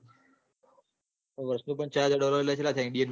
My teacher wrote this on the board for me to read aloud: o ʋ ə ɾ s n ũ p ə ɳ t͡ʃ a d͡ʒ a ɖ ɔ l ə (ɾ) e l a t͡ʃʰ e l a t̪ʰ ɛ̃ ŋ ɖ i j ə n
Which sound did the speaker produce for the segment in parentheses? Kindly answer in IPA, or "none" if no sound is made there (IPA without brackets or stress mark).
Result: ɾ